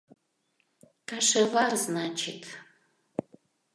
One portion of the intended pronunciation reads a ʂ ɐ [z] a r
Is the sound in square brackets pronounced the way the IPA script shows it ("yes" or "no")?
no